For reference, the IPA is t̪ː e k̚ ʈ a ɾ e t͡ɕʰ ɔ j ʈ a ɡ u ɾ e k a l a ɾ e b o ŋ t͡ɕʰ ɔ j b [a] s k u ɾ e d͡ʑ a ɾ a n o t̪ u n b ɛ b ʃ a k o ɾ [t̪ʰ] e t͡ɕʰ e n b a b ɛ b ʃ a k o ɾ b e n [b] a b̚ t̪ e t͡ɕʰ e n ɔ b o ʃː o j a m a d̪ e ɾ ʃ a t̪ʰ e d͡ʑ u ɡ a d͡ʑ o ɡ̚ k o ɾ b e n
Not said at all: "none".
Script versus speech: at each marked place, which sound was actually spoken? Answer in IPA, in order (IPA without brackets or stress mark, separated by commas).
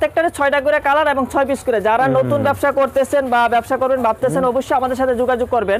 i, t̪, b